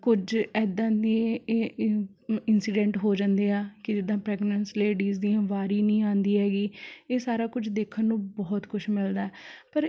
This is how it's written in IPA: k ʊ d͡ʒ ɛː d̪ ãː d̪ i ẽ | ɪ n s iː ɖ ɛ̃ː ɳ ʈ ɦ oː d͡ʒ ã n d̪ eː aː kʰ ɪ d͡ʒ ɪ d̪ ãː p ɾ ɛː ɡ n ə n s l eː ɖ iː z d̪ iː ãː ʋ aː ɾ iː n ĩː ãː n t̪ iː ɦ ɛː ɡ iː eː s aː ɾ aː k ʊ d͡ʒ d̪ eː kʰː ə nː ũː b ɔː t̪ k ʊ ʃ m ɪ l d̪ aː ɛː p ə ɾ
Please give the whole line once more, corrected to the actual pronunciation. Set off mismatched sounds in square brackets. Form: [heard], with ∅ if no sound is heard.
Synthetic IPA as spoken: k ʊ d͡ʒ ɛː d̪ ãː d̪ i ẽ | ɪ n s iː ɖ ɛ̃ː ɳ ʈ ɦ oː d͡ʒ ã n d̪ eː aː [k] ɪ d͡ʒ ɪ d̪ ãː p ɾ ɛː ɡ n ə n s l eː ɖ iː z d̪ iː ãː ʋ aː ɾ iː n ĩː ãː n [d̪] iː ɦ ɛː ɡ iː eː s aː ɾ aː k ʊ d͡ʒ d̪ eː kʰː ə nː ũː b ɔː t̪ k ʊ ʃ m ɪ l d̪ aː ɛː p ə ɾ